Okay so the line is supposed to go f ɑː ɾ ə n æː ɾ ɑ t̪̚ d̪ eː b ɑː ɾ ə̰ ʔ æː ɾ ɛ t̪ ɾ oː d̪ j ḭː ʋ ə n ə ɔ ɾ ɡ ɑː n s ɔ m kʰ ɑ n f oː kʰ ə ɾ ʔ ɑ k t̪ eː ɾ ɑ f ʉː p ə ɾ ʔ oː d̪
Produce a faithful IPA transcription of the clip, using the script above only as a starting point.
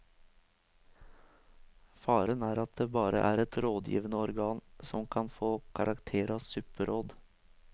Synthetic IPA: f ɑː ɾ ə n æː ɾ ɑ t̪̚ d̪ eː b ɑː ɾ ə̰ ʔ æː ɾ ɛ t̪ ɾ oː d̪ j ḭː ʋ ə n ə ɔ ɾ ɡ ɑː n s ɔ m kʰ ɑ n f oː kʰ ɑ ɾ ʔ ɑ k t̪ʰ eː ɾ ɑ s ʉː p ə ɾ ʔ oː d̪